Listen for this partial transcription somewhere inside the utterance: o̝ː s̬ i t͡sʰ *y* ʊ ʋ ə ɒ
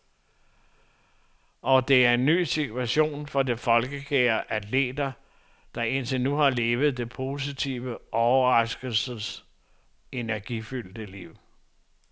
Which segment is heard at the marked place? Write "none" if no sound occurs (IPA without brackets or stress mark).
i